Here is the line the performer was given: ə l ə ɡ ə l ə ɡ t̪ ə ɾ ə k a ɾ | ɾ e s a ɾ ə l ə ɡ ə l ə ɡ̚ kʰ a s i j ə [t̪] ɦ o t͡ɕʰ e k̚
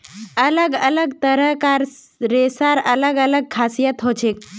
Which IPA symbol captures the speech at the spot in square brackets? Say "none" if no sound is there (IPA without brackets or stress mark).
t̪